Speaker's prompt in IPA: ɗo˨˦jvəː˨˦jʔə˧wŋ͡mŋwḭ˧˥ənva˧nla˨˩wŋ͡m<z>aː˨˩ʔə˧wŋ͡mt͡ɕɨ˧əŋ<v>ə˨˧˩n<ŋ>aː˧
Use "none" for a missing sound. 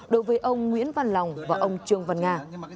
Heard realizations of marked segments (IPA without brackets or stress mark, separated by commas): v, v, ŋ